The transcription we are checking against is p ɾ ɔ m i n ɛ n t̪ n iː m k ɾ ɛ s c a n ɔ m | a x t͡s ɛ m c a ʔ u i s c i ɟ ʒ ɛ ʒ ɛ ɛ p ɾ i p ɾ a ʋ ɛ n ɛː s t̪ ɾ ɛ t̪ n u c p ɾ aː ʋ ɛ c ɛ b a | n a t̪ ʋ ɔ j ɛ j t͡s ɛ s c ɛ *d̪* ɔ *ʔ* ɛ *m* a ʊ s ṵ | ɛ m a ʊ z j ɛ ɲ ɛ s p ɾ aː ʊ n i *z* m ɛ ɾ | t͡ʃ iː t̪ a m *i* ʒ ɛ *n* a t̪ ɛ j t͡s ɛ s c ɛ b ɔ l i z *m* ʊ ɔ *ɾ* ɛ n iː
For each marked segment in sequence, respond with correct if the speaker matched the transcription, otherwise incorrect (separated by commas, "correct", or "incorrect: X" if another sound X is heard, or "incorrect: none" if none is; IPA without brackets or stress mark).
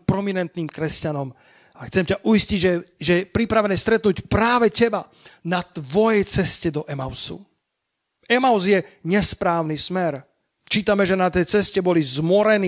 correct, correct, correct, incorrect: s, incorrect: ɛ, correct, correct, correct